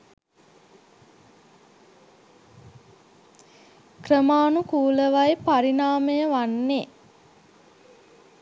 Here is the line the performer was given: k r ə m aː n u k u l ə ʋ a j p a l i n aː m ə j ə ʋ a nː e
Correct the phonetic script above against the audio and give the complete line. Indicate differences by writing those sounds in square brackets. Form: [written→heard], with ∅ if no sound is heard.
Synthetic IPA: k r ə m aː n u k [u→uː] l ə ʋ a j p a [l→ɾ] i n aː m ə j ə ʋ a nː e